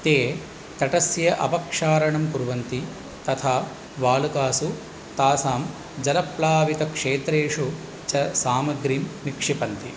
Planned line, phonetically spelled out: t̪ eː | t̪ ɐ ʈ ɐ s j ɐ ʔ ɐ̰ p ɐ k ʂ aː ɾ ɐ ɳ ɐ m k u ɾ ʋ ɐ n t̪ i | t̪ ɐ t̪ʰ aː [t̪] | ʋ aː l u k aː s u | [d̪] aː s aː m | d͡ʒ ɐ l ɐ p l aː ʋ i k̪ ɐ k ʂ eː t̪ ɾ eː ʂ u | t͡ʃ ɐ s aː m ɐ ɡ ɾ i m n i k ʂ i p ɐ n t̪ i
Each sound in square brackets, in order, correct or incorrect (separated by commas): incorrect, incorrect